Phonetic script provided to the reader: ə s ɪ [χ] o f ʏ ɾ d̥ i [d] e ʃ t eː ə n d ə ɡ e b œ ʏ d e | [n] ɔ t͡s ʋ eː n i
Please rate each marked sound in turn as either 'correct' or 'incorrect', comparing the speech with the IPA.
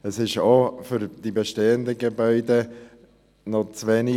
incorrect, incorrect, correct

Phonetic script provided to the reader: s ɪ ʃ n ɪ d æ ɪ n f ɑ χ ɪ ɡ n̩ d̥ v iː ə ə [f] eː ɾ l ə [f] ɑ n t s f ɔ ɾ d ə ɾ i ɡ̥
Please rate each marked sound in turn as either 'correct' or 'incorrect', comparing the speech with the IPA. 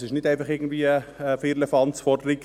correct, correct

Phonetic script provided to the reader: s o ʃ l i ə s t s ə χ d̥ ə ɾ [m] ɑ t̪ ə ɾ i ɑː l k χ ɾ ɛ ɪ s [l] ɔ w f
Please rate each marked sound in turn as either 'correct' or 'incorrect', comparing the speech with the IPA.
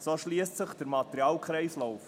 correct, correct

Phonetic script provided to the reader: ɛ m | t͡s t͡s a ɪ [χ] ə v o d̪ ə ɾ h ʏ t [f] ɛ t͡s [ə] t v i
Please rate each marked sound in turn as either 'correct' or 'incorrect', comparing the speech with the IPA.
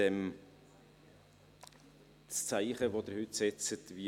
correct, incorrect, correct

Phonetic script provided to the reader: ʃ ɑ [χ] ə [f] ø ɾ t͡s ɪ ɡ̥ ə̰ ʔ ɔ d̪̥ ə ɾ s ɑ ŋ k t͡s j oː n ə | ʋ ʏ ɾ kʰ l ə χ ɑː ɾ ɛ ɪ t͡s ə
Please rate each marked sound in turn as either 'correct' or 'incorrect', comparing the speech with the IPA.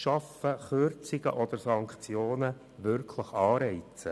incorrect, incorrect

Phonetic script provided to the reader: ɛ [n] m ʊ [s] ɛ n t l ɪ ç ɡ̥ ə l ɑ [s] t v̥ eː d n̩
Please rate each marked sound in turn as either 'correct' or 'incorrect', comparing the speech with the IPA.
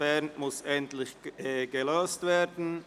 correct, correct, correct

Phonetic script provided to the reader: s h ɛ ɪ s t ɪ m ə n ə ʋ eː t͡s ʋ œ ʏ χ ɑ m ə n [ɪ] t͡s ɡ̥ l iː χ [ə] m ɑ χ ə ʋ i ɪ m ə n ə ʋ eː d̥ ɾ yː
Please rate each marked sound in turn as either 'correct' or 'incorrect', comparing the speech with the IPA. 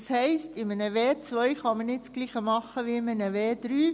correct, correct

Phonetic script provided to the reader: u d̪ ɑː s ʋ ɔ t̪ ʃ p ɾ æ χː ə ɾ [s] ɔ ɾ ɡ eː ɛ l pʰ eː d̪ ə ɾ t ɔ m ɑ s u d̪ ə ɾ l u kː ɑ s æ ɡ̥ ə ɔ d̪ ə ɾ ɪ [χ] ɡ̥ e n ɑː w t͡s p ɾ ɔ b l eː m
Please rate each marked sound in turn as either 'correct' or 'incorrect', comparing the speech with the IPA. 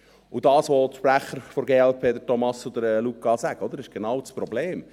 incorrect, incorrect

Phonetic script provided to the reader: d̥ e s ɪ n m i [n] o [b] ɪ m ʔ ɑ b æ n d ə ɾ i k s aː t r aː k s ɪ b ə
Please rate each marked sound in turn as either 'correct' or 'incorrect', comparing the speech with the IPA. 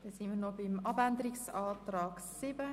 correct, correct

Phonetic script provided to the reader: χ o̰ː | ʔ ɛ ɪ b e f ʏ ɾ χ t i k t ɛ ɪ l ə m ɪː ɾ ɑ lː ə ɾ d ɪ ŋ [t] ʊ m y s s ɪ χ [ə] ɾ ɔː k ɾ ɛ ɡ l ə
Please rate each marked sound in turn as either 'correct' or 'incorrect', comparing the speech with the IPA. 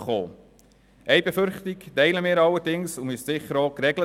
incorrect, correct

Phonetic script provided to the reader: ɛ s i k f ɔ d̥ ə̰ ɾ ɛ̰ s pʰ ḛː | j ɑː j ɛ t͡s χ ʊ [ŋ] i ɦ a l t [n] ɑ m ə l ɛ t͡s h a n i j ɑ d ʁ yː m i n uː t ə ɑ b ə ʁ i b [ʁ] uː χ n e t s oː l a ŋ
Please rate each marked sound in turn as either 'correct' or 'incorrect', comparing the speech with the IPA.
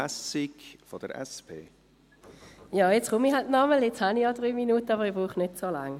incorrect, correct, correct

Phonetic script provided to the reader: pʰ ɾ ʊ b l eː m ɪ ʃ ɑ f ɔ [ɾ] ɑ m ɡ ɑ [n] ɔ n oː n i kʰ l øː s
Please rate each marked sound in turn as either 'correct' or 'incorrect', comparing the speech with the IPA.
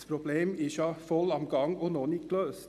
incorrect, incorrect

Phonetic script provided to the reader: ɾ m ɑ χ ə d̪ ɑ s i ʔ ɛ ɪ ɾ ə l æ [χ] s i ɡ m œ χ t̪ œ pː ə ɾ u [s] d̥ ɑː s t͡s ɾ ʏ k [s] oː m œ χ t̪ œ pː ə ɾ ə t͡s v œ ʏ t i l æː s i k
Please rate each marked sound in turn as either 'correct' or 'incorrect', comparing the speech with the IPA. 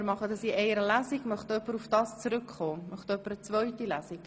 incorrect, incorrect, incorrect

